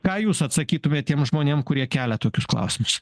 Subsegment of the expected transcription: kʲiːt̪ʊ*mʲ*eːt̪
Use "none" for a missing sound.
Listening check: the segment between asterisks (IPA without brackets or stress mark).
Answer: mʲ